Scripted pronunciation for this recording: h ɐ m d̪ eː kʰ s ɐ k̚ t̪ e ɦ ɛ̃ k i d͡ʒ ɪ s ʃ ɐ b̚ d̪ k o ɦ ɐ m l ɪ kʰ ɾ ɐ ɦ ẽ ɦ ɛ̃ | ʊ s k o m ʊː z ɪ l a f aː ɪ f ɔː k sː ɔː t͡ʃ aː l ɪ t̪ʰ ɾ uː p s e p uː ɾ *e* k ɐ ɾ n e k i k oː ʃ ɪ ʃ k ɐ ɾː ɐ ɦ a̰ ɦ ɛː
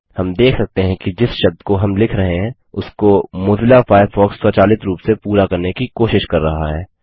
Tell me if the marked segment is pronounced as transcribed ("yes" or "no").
no